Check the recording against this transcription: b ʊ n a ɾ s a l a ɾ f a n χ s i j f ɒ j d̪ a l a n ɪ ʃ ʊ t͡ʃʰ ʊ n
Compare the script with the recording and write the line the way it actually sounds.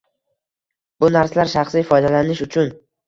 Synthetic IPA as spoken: b ʊ n a ɾ s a l a ɾ ʃ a χ s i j f ɒ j d̪ a l a n ɪ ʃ ʊ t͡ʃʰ ʊ n